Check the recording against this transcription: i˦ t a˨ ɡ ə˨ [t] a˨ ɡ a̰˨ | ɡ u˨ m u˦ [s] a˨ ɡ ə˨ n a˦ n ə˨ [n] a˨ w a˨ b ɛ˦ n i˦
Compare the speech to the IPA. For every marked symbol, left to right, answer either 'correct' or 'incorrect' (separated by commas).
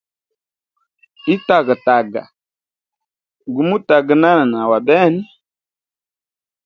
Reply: correct, incorrect, correct